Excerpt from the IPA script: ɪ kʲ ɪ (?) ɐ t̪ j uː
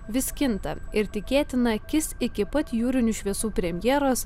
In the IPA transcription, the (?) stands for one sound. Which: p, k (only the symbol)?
p